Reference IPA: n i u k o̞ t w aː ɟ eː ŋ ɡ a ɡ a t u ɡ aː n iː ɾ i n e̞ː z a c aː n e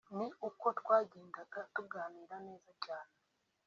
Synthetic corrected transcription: n i u k o̞ t w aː ɟ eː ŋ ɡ a ɡ a t u ɡ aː n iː ɾ a n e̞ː z a c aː n e